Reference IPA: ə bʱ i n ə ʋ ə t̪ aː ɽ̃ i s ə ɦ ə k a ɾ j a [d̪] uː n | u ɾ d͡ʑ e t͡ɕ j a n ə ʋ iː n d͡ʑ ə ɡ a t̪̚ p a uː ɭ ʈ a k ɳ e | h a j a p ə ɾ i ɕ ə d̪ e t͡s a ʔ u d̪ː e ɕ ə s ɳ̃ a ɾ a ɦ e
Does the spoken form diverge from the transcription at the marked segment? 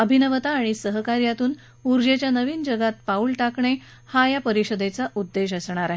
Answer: yes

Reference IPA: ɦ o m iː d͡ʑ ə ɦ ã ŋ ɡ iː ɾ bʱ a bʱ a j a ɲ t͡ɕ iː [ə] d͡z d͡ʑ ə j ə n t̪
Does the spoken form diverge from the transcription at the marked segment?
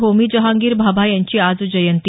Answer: yes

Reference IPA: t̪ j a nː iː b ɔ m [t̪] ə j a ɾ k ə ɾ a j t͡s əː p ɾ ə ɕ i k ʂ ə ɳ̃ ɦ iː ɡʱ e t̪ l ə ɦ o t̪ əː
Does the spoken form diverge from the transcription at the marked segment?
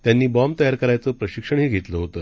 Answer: no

